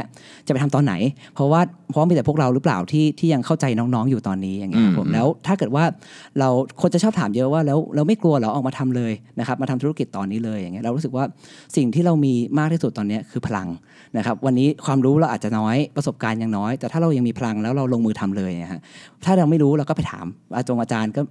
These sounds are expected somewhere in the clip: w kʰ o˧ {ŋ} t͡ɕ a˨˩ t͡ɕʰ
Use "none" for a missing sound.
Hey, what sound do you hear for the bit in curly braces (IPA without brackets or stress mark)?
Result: n